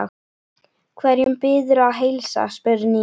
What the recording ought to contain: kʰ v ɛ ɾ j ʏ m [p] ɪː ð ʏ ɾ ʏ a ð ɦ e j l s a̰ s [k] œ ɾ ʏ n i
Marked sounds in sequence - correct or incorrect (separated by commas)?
correct, incorrect